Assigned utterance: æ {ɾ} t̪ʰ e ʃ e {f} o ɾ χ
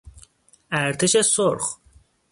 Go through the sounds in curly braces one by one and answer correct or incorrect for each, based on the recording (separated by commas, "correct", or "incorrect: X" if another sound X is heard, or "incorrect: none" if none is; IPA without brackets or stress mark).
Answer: correct, incorrect: s